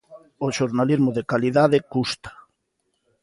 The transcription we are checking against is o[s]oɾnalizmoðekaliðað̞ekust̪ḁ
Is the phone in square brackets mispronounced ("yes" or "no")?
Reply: yes